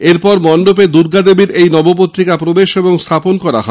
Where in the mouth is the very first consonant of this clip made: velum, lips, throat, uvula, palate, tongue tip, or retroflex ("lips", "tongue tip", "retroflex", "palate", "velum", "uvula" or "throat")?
tongue tip